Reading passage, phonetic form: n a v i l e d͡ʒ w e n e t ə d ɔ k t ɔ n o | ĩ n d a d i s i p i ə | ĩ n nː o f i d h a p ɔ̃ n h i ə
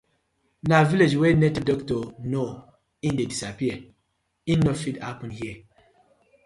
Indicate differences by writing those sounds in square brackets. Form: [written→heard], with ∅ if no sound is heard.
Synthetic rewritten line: n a v i l e d͡ʒ w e n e t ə d ɔ k t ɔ n o | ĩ n d [a→e] d i s [i→a] p i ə | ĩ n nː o f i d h a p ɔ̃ n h i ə